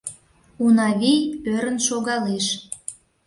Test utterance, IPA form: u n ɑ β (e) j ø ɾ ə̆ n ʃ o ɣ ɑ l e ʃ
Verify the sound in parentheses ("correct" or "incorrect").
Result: incorrect